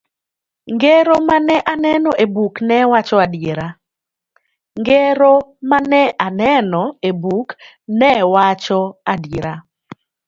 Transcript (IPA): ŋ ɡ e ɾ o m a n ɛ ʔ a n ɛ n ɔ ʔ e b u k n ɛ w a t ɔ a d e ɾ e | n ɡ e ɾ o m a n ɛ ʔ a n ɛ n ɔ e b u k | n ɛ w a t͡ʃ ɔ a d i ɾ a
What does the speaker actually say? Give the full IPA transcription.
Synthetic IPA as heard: ŋ ɡ e ɾ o m a n ɛ ʔ a n ɛ n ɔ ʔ e b u k n ɛ w a t͡ʃ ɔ a d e ɾ a | ŋ ɡ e ɾ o m a n ɛ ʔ a n ɛ n ɔ e b u k | n ɛ w a t͡ʃ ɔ a d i ɾ a